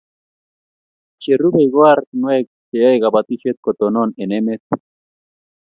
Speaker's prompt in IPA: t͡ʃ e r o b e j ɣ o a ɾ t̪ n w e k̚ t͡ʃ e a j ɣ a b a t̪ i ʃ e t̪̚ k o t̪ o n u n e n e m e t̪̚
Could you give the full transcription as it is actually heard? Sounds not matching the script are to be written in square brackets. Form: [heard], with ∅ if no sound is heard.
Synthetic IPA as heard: t͡ʃ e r [u] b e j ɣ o a ɾ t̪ n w e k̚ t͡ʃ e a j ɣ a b a t̪ i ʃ e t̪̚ k o t̪ o n [o] n e n e m e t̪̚